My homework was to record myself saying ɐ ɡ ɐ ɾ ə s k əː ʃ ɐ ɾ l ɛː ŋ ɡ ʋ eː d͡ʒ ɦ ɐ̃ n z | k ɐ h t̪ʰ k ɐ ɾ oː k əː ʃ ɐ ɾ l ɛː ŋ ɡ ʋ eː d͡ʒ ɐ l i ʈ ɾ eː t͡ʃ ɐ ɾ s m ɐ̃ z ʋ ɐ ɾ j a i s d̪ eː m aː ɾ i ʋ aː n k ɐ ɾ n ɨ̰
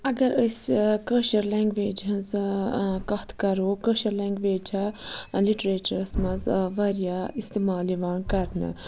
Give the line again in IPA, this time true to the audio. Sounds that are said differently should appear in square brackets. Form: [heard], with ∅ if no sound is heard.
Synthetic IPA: ɐ ɡ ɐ ɾ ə s k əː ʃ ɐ ɾ l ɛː ŋ ɡ ʋ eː d͡ʒ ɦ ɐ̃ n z | k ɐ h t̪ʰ k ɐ ɾ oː k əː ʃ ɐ ɾ l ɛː ŋ ɡ ʋ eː d͡ʒ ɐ l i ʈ ɾ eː t͡ʃ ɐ ɾ s m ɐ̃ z ʋ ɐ ɾ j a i s [t̪] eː m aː [l] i ʋ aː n k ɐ ɾ n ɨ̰